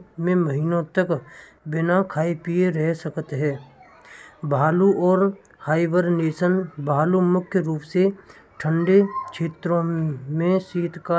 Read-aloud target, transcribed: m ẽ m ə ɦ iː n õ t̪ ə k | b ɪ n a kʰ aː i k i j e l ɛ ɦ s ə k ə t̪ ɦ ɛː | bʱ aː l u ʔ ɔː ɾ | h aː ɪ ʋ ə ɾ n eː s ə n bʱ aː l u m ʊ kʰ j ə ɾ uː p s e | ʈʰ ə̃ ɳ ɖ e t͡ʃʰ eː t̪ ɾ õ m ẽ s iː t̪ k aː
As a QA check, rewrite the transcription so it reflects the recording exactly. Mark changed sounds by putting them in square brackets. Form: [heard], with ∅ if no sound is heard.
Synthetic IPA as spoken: m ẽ m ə ɦ iː n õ t̪ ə k | b ɪ n a kʰ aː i [p] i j e [ɾ] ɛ ɦ s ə k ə t̪ ɦ ɛː | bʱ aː l u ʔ ɔː ɾ | h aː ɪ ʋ ə ɾ n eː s ə n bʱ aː l u m ʊ kʰ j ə ɾ uː p s e | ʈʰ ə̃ ɳ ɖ e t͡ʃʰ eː t̪ ɾ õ m ẽ s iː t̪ k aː